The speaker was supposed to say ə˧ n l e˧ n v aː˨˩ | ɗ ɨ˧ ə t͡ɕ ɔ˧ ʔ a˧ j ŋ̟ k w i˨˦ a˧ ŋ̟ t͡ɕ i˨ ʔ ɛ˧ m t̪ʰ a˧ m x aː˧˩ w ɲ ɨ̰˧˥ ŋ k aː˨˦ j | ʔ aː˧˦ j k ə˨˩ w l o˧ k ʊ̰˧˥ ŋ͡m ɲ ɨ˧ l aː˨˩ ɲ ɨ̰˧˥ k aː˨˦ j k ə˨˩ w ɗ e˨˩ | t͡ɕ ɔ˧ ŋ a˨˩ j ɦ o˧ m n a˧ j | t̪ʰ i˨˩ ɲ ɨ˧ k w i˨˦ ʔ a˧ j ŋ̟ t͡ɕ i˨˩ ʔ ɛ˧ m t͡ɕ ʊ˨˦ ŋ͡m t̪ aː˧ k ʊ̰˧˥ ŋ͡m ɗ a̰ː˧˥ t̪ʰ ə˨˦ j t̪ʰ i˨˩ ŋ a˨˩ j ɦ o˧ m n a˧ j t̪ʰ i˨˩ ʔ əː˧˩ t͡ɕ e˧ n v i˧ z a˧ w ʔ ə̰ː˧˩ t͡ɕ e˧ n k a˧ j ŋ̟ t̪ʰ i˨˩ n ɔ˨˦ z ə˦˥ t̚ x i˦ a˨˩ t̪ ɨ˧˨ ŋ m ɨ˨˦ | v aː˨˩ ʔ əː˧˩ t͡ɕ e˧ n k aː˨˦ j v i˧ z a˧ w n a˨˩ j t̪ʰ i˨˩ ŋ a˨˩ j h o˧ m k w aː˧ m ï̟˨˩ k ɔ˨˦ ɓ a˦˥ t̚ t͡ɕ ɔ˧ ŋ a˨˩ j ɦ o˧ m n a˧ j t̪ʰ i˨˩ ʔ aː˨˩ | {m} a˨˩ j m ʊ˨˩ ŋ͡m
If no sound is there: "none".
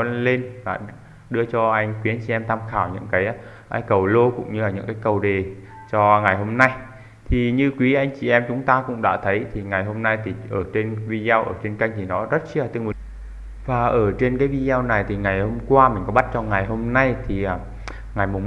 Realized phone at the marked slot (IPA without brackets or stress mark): ŋ